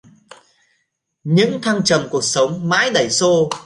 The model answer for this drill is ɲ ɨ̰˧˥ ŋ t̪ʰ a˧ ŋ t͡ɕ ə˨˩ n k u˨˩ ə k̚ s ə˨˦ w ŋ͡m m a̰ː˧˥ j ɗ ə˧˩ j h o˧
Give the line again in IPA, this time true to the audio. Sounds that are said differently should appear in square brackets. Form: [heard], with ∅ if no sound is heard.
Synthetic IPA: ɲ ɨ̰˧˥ ŋ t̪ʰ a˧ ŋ t͡ɕ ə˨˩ [m] k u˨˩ ə k̚ s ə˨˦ w ŋ͡m m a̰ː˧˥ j ɗ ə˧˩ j [s] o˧